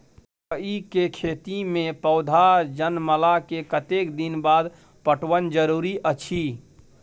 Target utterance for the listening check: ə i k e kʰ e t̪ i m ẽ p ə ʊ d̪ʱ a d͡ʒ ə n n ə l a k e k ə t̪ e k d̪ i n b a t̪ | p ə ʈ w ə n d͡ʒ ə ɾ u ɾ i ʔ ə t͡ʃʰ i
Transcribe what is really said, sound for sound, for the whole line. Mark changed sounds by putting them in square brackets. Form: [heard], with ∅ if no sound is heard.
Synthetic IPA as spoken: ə i k e kʰ e t̪ i m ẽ p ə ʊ d̪ʱ a d͡ʒ ə n [m] ə l a k e k ə t̪ e k d̪ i n b a [d̪] | p ə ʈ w ə n d͡ʒ ə ɾ u ɾ i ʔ ə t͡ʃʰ i

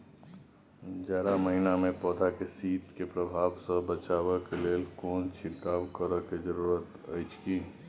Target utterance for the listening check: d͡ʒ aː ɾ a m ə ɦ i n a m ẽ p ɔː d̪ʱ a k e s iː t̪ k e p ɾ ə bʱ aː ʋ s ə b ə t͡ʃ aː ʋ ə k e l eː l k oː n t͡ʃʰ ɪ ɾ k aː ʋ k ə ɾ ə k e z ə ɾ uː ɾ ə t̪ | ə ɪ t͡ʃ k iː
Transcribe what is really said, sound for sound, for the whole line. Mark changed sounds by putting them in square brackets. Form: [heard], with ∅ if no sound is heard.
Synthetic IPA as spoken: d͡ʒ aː ɾ a m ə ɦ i n a m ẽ p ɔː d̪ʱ a k e s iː t̪ k e p ɾ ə bʱ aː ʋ s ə b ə t͡ʃ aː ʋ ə k e l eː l k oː n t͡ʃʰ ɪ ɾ k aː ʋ k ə ɾ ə k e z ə ɾ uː ɾ ə t̪ | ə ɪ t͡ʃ k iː

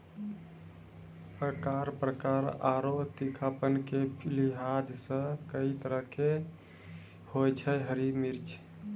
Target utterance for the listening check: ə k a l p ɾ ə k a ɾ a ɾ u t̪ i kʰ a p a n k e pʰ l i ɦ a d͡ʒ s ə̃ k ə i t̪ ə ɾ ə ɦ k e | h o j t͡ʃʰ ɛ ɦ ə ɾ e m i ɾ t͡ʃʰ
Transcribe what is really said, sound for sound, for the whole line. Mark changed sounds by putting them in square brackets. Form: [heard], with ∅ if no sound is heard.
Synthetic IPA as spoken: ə k a [ɾ] p ɾ ə k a ɾ a ɾ [o] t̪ i kʰ a p [ə] n k e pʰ l i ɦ a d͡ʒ s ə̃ k ə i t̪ ə ɾ ə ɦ k e | h o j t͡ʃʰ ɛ ɦ ə ɾ [i] m i ɾ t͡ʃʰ

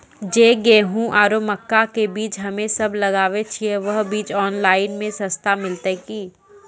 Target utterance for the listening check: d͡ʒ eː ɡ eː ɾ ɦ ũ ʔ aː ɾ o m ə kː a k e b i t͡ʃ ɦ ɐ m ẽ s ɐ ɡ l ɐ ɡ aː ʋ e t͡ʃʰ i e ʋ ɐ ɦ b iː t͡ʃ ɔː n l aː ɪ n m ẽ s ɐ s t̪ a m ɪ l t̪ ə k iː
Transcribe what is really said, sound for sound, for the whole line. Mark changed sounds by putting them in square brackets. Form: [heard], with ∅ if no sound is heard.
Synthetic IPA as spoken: d͡ʒ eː ɡ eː [∅] ɦ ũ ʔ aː ɾ o m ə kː a k e b [iː] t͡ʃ ɦ ɐ m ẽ s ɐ [b] l ɐ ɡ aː ʋ e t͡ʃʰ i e ʋ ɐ ɦ b iː t͡ʃ ɔː n l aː ɪ n m ẽ s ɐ s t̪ a m ɪ l t̪ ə k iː

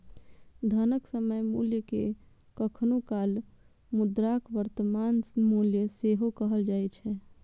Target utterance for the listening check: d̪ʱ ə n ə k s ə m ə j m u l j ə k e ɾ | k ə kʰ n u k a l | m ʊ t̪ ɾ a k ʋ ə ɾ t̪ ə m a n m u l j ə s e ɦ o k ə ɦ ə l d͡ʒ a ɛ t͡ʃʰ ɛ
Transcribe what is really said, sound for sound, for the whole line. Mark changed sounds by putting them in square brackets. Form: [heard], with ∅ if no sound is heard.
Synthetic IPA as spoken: d̪ʱ ə n ə k s ə m ə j m u l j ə k e [∅] | k ə kʰ n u k a l | m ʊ [d̪] ɾ a k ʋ ə ɾ t̪ ə m a n m u l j ə s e ɦ o k ə ɦ ə l d͡ʒ a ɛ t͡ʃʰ ɛ

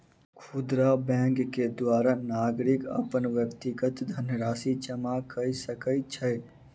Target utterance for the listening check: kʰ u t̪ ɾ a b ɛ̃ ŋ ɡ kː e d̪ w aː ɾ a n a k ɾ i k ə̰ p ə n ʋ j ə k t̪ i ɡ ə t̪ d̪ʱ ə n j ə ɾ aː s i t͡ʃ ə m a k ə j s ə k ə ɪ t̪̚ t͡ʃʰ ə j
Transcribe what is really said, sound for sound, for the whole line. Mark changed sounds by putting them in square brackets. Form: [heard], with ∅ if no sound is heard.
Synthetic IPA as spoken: kʰ u [d̪] ɾ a b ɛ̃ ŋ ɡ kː e d̪ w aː ɾ a n a [ɡ] ɾ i k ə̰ p ə n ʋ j ə k t̪ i ɡ ə t̪ d̪ʱ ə n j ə ɾ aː s i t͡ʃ ə m a k ə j s ə k ə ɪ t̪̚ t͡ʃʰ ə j

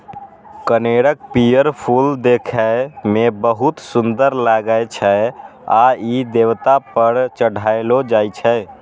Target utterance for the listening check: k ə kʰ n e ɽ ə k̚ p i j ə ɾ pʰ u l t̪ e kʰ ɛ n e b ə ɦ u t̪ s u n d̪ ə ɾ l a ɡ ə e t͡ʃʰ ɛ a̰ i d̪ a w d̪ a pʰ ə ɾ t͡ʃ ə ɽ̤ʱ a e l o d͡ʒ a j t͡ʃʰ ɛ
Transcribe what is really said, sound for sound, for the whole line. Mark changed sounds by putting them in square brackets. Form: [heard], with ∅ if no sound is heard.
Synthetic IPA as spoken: k ə [∅] n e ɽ ə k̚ p i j ə ɾ pʰ u l [d̪] e kʰ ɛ [m] e b ə ɦ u t̪ s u n d̪ ə ɾ l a ɡ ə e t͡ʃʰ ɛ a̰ i d̪ [e] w [t̪] a [p] ə ɾ t͡ʃ ə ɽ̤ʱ a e l o d͡ʒ a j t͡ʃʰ ɛ

